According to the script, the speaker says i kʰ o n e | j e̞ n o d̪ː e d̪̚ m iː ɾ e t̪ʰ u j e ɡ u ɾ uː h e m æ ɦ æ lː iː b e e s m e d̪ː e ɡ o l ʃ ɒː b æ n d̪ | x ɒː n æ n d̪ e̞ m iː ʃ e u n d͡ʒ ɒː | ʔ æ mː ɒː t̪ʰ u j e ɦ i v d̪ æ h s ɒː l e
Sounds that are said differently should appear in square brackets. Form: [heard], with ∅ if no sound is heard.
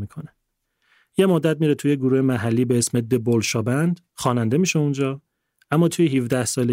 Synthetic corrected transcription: i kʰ o n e | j e̞ [m] o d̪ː [æ] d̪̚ m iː ɾ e t̪ʰ u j e ɡ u ɾ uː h e m æ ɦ æ lː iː b e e s m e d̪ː e [b] o l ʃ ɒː b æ n d̪ | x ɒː n æ n d̪ e̞ m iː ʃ e u n d͡ʒ ɒː | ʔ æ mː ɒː t̪ʰ u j e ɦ i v d̪ æ h s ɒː l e